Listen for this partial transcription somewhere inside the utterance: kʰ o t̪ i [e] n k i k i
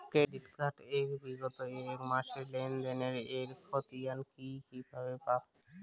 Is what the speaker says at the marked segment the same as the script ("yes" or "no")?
no